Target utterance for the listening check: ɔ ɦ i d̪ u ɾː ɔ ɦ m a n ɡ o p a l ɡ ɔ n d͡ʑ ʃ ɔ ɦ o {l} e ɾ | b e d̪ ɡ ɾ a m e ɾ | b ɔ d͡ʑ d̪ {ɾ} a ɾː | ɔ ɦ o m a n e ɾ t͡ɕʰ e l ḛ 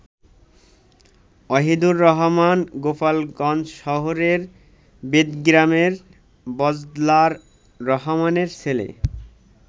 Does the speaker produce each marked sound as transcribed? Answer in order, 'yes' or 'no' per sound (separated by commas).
no, no